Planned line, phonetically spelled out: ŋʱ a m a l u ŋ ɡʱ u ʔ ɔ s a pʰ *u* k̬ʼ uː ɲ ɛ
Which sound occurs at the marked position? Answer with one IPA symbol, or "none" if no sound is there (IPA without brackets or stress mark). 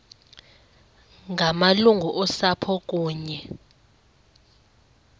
ɔ